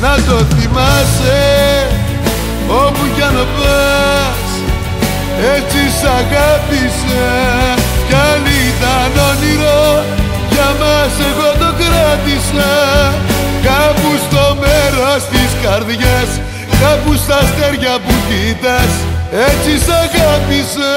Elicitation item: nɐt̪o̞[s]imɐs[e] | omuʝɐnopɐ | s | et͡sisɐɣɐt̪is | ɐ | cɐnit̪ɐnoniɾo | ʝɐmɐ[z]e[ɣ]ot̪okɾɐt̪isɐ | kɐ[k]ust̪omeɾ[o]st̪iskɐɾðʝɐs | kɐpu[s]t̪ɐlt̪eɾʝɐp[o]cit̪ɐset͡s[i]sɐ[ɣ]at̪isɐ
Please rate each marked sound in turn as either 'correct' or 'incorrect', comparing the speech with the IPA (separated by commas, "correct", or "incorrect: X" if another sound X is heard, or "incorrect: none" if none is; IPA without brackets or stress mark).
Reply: incorrect: θ, correct, incorrect: s, correct, incorrect: p, correct, correct, incorrect: u, correct, correct